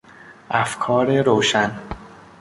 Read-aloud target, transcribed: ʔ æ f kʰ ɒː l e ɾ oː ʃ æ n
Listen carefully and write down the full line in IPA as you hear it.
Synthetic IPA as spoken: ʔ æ f kʰ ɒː ɾ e ɾ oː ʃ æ n